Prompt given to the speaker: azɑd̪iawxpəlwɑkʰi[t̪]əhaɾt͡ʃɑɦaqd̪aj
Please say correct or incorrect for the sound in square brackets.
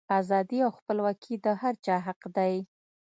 incorrect